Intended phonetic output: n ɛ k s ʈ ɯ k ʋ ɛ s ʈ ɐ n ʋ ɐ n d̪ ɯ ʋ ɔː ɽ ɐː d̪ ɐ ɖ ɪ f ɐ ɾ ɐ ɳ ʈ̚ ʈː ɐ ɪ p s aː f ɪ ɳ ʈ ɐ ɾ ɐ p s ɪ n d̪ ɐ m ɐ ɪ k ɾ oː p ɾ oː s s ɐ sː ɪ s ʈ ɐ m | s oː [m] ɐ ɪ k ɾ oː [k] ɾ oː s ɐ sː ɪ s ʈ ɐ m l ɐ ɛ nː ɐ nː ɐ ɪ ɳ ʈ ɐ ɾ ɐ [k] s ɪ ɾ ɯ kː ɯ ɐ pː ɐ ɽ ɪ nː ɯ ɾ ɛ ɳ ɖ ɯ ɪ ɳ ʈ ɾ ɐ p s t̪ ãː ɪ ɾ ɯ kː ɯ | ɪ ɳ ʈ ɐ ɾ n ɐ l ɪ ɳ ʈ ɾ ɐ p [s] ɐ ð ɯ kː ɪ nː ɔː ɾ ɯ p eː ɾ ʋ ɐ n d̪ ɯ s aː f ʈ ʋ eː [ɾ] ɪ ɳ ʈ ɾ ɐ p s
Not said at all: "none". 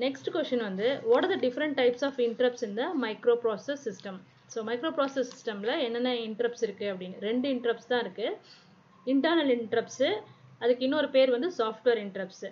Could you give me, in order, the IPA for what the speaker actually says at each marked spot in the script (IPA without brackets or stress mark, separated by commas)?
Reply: m, p, p, s, ɾ